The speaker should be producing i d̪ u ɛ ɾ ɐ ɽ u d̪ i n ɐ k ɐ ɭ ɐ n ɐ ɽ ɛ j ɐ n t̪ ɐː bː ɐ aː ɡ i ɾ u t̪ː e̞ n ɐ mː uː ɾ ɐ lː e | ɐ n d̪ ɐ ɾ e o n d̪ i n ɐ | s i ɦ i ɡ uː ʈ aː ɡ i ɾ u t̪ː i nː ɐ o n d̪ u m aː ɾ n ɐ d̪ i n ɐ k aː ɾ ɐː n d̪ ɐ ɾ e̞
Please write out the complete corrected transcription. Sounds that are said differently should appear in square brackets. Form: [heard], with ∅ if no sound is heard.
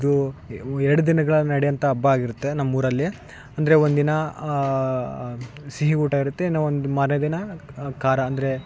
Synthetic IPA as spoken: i d̪ u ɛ ɾ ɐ ɽ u d̪ i n ɐ [ɡ] ɐ ɭ ɐ n ɐ ɽ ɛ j ɐ n t̪ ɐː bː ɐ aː ɡ i ɾ u t̪ː e̞ n ɐ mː uː ɾ ɐ lː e | ɐ n d̪ ɐ ɾ e o n d̪ i n ɐ | s i ɦ i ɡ uː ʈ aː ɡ i ɾ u t̪ː [e] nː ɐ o n d̪ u m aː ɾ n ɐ d̪ i n ɐ k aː ɾ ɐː n d̪ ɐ ɾ e̞